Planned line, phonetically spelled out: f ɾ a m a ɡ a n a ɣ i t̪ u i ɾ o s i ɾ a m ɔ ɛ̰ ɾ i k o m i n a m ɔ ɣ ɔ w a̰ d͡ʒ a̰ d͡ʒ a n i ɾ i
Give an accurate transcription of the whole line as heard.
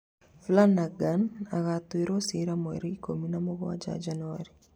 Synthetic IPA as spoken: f l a n a ɡ a n a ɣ a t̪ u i ɾ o s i ɾ a m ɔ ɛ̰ ɾ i k o m i n a m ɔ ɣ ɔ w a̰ d͡ʒ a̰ d͡ʒ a n a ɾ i